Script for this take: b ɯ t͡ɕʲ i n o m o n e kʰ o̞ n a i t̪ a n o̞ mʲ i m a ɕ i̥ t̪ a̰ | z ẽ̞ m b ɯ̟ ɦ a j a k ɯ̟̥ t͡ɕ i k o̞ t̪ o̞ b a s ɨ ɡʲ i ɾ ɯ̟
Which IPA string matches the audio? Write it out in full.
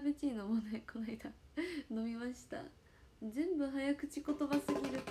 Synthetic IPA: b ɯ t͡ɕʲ i n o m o n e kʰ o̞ n a i d̪ a n o̞ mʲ i m a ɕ i̥ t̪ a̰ | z ẽ̞ m b ɯ̟ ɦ a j a k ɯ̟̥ t͡ɕ i k o̞ t̪ o̞ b a s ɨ ɡʲ i ɾ ɯ̟